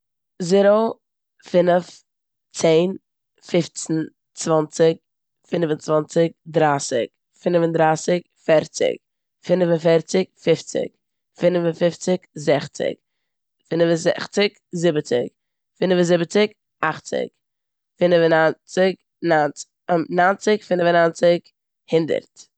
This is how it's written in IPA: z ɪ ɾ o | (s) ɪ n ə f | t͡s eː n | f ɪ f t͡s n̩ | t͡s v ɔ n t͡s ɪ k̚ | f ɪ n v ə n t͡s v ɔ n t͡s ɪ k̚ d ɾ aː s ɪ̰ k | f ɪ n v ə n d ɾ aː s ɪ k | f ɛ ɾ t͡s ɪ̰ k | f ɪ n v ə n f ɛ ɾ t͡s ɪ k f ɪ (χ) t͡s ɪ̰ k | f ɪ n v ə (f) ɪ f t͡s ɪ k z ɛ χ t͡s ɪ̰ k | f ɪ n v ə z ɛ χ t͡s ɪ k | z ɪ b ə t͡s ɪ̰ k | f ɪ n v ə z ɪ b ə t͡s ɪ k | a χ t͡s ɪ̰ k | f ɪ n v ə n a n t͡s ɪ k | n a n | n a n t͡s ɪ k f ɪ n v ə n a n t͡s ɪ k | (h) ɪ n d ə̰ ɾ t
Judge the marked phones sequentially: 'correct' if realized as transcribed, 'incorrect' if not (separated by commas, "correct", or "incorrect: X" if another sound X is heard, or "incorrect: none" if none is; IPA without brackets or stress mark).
incorrect: f, incorrect: f, correct, correct